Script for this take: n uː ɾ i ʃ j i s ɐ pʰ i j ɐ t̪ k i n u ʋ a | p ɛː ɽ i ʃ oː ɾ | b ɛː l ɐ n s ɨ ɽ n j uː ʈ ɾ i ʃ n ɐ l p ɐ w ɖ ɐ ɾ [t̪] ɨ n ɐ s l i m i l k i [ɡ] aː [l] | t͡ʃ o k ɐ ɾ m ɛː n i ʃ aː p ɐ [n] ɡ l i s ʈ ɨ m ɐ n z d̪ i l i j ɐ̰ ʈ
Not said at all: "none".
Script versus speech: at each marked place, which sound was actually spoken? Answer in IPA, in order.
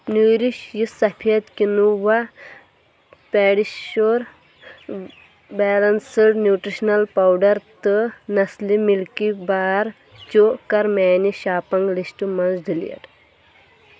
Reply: t̪, b, ɾ, ŋ

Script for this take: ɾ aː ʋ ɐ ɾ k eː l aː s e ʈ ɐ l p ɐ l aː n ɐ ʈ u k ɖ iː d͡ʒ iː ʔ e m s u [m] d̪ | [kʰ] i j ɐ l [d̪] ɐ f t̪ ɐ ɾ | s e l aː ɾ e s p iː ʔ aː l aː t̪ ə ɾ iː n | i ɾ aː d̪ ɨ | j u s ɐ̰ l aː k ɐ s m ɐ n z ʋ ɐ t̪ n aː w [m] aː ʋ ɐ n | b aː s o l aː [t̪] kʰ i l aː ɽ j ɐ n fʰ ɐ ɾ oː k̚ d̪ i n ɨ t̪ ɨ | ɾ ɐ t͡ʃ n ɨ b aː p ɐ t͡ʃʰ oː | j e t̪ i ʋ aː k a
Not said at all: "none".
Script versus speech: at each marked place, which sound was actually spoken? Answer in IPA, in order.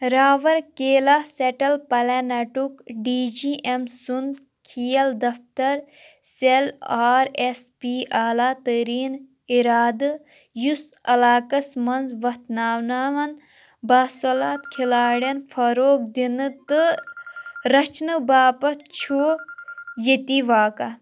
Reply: n, kʰ, d̪, n, t̪

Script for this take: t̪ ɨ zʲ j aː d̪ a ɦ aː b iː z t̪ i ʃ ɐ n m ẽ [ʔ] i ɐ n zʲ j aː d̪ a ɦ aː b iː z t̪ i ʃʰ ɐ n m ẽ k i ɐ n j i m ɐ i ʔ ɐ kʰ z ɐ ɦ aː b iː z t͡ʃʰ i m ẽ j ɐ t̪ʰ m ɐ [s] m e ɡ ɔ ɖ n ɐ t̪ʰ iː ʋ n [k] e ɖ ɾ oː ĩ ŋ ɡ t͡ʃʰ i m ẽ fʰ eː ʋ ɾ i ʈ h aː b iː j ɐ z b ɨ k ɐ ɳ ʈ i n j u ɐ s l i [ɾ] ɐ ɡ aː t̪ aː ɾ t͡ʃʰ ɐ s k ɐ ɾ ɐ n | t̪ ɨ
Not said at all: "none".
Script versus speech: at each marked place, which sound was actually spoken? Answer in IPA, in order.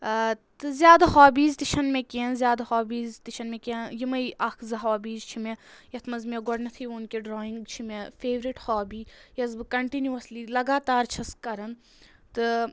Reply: k, z, k, l

